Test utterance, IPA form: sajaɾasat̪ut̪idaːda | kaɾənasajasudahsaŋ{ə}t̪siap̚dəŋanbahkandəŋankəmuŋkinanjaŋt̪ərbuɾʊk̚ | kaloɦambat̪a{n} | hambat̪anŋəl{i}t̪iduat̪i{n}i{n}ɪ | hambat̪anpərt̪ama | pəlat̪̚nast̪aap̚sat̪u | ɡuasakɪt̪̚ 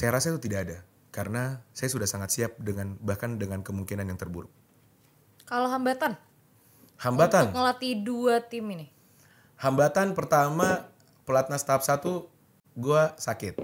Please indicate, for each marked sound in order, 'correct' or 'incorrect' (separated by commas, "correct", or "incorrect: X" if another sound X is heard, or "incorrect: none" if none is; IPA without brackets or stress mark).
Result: incorrect: a, correct, incorrect: a, incorrect: m, correct